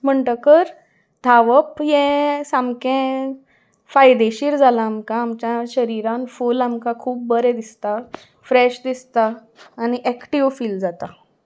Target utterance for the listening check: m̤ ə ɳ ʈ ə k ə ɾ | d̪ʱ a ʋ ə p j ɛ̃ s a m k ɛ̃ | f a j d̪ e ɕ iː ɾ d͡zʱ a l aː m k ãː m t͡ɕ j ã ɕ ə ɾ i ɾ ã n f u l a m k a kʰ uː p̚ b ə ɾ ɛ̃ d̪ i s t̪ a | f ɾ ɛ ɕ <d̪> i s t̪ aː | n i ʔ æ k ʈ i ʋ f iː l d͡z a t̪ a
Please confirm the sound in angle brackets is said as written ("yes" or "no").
yes